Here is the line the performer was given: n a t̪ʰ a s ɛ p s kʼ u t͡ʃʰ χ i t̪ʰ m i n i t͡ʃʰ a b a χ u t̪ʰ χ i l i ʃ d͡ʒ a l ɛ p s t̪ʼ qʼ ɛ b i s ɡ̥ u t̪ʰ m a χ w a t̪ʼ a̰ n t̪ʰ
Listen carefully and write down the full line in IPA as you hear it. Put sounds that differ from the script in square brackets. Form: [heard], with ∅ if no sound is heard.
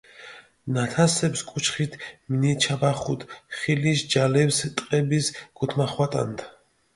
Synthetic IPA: n a t̪ʰ a s ɛ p s kʼ u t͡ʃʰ χ i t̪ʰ m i n i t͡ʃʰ a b a χ u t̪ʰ χ i l i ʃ d͡ʒ a l ɛ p s t̪ʼ qʼ ɛ b i s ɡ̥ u t̪ʰ m a χ w a t̪ʼ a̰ n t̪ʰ